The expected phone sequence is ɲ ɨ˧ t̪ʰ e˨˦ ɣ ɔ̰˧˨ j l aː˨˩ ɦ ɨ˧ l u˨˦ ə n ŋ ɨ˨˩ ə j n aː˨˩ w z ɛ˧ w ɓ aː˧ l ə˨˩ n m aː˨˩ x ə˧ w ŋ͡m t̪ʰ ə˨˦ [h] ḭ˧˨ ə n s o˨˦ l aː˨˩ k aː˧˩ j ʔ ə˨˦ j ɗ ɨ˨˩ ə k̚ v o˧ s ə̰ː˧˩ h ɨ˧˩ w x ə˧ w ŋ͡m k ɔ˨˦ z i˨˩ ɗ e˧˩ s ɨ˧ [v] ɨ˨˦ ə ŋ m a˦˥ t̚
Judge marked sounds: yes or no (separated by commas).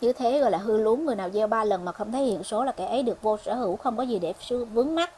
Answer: yes, yes